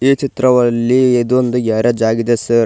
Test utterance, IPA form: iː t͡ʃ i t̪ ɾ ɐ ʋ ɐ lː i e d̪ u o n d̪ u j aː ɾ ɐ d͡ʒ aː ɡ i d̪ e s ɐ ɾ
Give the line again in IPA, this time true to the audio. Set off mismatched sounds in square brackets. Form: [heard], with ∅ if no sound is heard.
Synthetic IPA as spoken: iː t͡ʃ i t̪ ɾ ɐ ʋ ɐ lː i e d̪ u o n d̪ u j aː ɾ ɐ d͡ʒ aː ɡ i d̪ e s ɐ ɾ